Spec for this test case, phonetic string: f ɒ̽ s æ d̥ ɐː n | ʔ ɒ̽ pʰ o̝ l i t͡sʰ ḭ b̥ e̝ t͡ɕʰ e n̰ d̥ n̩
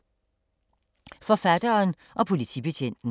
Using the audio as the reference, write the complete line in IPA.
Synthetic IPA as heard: f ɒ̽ f æ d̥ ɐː n | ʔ ɒ̽ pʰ o̝ l i t͡sʰ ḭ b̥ e̝ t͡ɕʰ e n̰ d̥ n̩